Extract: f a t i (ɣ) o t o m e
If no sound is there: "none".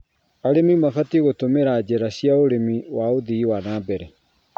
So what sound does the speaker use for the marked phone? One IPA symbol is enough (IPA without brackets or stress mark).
ɣ